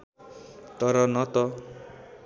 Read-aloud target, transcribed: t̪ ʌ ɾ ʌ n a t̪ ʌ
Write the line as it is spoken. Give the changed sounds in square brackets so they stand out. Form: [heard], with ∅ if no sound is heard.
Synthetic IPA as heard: t̪ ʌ ɾ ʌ n [ʌ] t̪ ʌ

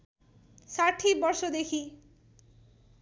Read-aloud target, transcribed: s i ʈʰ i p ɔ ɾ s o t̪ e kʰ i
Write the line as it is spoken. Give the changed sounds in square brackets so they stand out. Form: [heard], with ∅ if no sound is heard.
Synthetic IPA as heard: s [a] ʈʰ i [b] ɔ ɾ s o [d̪] e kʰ i

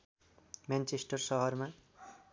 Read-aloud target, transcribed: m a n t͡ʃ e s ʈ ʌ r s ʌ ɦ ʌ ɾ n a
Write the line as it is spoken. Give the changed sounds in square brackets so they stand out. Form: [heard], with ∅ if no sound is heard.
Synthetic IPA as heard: m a n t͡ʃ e s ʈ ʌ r s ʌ ɦ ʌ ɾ [m] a

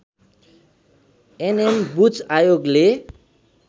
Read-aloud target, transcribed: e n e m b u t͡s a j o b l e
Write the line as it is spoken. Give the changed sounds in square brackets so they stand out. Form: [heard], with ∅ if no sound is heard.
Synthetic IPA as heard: e n e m b u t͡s a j o [ɡ] l e

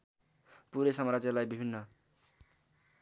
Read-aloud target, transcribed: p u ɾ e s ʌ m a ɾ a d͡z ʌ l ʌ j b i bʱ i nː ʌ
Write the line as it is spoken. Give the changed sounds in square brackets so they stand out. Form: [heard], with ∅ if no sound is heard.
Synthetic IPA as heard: p u ɾ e s ʌ m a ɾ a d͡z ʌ l [a] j b i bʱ i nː ʌ

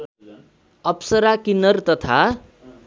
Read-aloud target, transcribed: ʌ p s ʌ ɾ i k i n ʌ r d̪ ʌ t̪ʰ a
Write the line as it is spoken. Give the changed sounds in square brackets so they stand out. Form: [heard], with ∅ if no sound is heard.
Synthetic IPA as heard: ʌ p s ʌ ɾ [a] k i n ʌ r [t̪] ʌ t̪ʰ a

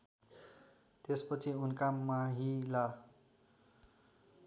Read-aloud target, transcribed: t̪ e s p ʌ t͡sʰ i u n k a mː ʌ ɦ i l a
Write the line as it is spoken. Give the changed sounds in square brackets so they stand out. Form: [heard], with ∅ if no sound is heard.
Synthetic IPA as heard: t̪ e s p ʌ t͡sʰ i u n k a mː [a] ɦ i l a

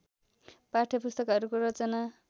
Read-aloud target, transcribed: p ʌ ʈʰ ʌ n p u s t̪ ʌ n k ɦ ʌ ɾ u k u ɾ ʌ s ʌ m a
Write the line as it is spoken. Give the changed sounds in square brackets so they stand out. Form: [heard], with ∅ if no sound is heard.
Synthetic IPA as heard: p [a] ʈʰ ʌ [∅] p u s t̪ ʌ [∅] k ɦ ʌ ɾ u k [o] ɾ ʌ [t͡s] ʌ [n] a

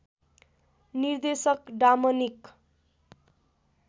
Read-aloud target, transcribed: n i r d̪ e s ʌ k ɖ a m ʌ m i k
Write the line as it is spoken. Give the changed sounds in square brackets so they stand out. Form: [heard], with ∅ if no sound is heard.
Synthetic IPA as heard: n i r d̪ e s ʌ k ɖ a m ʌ [n] i k

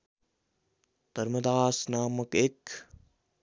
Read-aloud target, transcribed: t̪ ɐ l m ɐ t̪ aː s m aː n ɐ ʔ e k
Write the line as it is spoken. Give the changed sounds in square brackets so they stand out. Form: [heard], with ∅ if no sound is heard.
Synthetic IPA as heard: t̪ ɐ [ɾ] m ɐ [d̪] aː s [n] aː [m] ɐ [k] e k

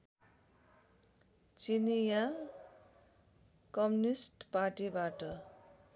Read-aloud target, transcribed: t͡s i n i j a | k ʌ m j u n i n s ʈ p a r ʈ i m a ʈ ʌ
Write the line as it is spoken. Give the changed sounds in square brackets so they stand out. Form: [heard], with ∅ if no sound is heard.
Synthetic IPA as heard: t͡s i n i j a | k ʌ m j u n i [∅] s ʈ p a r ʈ i [b] a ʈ ʌ

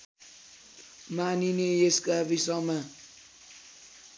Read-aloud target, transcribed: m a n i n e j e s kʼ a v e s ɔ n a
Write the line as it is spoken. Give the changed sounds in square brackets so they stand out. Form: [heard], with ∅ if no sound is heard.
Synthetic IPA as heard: m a n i n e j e s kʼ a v [i] s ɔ [m] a

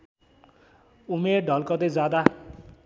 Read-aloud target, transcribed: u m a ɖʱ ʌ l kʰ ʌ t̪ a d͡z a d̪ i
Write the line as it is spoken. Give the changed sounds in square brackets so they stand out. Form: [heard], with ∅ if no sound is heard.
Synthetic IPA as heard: u m [e] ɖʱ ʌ l [k] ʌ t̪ [e] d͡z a d̪ [a]

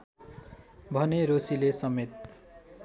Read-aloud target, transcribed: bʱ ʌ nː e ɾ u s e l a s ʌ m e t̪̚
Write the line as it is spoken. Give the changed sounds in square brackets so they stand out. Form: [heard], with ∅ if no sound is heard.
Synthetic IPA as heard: bʱ ʌ [n] e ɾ [o] s [i] l [e] s ʌ m e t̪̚

